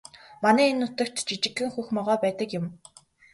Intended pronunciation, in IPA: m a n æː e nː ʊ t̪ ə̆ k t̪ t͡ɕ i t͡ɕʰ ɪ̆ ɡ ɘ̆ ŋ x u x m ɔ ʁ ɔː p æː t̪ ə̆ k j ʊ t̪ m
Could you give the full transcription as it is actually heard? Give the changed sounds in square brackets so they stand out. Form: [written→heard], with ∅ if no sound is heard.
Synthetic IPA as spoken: m a n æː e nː ʊ t̪ ə̆ k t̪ t͡ɕ i [t͡ɕʰ→t͡ɕ] ɪ̆ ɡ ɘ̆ ŋ x u x m ɔ ʁ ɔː p æː t̪ ə̆ k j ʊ [t̪→∅] m